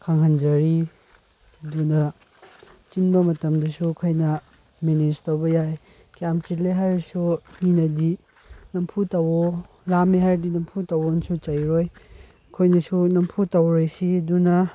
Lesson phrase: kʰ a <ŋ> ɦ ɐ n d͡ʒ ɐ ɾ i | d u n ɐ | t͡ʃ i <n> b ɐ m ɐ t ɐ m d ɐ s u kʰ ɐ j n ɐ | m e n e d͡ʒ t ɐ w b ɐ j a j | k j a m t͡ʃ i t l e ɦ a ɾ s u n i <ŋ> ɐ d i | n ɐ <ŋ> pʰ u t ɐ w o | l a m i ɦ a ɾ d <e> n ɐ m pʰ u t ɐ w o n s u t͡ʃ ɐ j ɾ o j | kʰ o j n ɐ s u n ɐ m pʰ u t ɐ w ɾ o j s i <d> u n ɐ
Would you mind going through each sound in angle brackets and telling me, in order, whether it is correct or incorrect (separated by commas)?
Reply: correct, correct, incorrect, incorrect, incorrect, correct